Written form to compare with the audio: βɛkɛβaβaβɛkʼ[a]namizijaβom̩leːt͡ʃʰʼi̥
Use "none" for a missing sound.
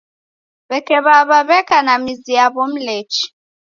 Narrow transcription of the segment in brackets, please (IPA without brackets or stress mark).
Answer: a